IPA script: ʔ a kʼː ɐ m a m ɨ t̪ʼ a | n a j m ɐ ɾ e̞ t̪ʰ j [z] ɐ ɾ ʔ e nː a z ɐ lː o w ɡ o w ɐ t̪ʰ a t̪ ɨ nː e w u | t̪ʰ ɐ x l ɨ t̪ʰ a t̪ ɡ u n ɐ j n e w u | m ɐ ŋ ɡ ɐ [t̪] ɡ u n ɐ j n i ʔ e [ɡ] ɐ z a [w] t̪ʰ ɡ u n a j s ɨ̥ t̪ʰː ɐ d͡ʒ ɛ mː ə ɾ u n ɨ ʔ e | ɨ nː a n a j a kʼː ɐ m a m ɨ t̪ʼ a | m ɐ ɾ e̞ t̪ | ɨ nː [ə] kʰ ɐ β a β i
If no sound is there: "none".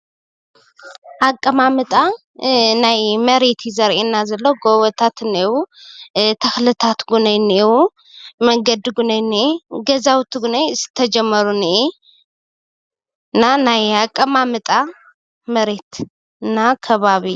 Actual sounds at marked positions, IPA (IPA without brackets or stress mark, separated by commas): z, d̪, ɡ, w, a